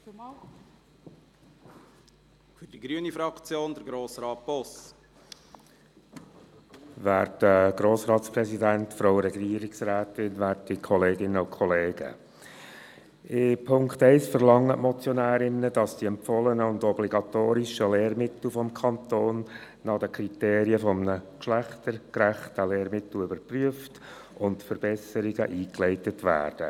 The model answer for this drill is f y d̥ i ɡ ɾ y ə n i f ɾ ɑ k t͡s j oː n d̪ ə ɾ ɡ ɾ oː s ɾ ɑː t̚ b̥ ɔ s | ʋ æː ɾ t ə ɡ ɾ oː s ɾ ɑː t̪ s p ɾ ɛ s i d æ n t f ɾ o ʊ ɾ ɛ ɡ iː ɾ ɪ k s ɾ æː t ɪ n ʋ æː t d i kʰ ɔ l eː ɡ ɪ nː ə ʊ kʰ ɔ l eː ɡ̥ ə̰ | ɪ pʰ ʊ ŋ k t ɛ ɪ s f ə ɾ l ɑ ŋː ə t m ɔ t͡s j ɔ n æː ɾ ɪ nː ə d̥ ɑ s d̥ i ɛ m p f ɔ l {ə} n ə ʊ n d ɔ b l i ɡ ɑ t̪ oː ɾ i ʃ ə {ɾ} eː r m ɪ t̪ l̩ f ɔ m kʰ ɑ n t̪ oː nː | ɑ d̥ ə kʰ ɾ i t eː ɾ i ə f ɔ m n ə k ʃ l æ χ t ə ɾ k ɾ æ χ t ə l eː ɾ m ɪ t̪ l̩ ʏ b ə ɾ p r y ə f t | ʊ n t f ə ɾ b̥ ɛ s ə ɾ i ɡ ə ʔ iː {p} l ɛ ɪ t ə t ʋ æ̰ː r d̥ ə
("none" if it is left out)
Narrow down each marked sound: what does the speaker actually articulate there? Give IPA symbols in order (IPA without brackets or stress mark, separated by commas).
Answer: ə, l, k